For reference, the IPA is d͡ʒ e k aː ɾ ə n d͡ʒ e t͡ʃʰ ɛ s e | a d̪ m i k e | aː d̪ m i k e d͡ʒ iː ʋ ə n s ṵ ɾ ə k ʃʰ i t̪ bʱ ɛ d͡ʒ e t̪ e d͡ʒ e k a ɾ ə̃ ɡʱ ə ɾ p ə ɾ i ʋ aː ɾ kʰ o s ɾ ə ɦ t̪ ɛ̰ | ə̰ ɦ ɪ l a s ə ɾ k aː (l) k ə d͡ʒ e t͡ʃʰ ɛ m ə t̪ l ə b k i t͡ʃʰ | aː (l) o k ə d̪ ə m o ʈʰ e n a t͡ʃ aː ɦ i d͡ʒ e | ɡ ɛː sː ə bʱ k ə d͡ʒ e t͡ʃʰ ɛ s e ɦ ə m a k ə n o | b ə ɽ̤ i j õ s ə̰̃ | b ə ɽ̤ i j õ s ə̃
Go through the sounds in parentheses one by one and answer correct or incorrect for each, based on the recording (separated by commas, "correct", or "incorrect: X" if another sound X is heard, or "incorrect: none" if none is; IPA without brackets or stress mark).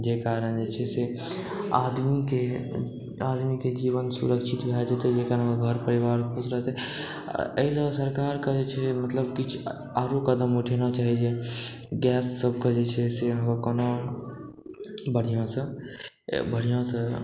incorrect: ɾ, incorrect: ɾ